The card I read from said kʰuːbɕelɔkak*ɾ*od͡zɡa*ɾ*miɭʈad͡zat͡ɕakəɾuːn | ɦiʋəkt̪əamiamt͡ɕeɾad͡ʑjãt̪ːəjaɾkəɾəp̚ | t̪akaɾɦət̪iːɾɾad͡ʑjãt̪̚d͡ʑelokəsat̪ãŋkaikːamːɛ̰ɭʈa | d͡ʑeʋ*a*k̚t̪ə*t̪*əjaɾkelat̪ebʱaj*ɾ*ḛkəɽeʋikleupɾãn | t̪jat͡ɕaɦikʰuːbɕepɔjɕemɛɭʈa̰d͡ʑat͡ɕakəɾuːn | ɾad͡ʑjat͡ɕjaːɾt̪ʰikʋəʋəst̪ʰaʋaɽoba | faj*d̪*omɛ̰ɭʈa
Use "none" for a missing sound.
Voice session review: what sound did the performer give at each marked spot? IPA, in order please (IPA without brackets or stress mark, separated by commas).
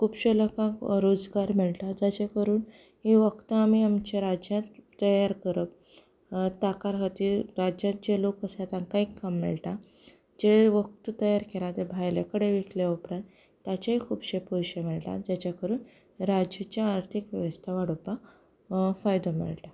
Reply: ɾ, ɾ, ə, t̪, l, d̪